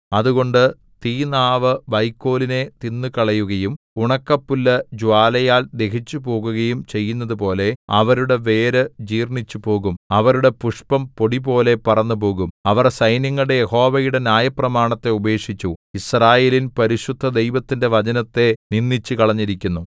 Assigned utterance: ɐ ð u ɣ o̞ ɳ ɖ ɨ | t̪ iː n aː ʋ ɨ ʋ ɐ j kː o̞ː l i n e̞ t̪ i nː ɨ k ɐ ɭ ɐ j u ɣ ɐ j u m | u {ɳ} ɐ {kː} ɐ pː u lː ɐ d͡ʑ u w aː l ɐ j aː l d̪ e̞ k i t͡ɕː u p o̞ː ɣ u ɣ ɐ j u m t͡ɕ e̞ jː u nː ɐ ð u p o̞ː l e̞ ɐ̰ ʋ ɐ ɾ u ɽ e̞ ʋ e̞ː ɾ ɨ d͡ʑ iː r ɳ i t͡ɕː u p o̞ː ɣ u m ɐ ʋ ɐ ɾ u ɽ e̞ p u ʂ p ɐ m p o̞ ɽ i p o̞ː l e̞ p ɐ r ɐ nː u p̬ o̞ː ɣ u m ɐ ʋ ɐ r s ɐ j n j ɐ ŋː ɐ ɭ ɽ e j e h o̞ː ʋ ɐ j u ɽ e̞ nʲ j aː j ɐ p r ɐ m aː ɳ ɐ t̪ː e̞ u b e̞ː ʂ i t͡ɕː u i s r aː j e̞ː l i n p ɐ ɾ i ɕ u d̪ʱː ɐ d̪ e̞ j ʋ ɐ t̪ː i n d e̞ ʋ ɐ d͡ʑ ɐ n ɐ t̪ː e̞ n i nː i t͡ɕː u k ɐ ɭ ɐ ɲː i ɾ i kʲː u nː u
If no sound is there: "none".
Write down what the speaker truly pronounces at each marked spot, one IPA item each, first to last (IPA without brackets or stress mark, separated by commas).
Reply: ɳ, kː